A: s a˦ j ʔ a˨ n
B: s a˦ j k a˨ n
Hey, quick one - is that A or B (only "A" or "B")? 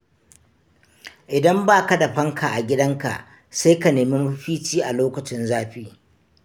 B